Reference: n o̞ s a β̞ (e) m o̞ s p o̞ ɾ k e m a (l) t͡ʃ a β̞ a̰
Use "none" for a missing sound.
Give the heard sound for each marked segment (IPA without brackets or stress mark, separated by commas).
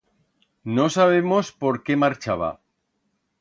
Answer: e, ɾ